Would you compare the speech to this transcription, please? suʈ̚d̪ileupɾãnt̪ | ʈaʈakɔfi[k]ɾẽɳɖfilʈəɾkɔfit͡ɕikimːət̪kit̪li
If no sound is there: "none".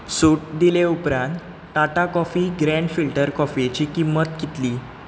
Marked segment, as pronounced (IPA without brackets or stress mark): ɡ